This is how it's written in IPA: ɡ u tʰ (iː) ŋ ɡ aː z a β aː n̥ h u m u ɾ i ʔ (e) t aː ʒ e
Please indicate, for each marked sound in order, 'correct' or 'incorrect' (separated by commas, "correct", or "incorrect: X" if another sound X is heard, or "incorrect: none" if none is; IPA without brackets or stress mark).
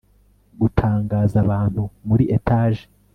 incorrect: aː, correct